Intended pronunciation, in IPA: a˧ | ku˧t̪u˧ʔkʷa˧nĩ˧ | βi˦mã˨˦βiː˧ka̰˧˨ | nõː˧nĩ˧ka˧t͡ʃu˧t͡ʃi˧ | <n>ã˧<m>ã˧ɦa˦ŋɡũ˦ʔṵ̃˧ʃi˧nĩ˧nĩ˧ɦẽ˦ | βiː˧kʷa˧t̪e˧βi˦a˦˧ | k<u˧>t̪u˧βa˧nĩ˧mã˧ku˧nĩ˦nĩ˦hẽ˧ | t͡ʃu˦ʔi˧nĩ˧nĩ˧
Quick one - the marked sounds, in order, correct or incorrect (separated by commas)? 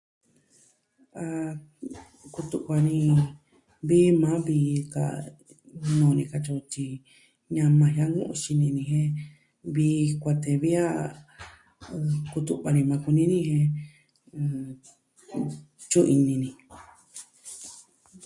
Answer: incorrect, correct, correct